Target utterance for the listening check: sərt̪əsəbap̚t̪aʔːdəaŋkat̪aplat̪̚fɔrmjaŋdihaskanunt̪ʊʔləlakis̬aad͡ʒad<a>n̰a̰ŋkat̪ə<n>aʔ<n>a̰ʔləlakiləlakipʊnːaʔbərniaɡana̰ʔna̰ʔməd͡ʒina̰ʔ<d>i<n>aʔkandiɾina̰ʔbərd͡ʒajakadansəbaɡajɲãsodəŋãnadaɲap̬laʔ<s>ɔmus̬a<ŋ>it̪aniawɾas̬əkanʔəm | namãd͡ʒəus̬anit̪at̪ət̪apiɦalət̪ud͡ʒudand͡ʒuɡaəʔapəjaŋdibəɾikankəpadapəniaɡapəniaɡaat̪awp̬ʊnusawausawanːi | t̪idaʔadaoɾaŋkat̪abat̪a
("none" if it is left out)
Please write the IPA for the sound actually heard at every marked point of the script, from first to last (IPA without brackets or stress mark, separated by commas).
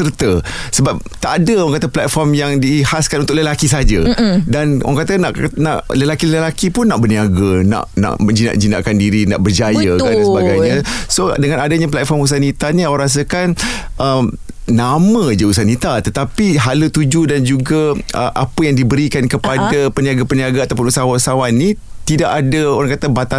a, n, n, d͡ʒ, n, f, n